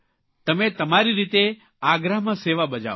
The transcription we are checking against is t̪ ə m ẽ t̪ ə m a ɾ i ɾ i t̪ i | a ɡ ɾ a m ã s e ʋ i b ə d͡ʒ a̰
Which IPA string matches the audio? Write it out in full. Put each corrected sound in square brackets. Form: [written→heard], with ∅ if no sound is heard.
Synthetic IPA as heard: t̪ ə m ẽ t̪ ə m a ɾ i ɾ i t̪ [i→e] | a ɡ ɾ a m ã s e ʋ [i→a] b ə d͡ʒ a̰

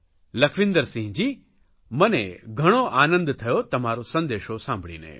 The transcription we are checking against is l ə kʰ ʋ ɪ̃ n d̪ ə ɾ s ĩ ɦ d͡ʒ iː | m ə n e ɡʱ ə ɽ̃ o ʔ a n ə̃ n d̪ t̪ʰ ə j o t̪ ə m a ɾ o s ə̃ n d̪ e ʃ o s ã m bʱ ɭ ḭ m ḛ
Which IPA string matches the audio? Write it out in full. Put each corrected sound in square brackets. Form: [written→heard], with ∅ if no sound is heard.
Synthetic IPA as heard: l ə kʰ ʋ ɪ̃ n d̪ ə ɾ s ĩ ɦ d͡ʒ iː | m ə n e ɡʱ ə ɽ̃ o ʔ a n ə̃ n d̪ t̪ʰ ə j o t̪ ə m a ɾ o s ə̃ n d̪ e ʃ o s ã m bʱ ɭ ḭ [m→n] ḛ

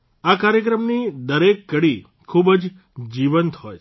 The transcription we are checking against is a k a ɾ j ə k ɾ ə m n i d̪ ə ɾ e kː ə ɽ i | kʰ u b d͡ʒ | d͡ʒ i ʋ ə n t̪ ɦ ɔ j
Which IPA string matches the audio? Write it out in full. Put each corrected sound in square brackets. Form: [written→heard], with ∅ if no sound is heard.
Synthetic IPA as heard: a k a ɾ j ə k ɾ ə m n i d̪ ə ɾ e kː ə ɽ i | kʰ u b d͡ʒ | d͡ʒ i ʋ ə n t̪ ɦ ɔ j

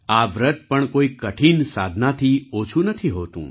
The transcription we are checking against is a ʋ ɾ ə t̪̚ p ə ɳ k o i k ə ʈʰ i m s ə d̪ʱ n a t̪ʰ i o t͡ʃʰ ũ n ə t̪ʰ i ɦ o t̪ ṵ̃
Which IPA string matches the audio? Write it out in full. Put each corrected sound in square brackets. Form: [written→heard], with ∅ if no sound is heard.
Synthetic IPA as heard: a ʋ ɾ ə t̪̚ p ə ɳ k o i k ə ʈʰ i [m→n] s [ə→a] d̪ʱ n a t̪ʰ i o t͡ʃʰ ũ n ə t̪ʰ i ɦ o t̪ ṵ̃

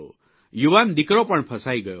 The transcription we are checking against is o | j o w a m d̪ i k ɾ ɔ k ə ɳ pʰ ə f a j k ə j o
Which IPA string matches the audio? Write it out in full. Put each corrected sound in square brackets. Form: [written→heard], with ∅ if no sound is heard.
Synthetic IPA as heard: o | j [o→u] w a [m→n] d̪ i k ɾ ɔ [k→p] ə ɳ pʰ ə [f→s] a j [k→ɡ] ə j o

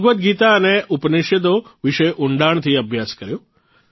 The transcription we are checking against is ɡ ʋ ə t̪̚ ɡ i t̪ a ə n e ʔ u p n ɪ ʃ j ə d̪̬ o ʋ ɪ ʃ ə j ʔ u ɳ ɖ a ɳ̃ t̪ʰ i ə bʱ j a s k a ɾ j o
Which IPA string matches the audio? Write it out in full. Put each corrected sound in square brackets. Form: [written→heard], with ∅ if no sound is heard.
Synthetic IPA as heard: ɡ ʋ ə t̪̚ ɡ i t̪ a ə n e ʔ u p n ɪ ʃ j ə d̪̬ o ʋ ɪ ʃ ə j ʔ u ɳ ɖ a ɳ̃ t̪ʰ i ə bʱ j a s k [a→ə] ɾ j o

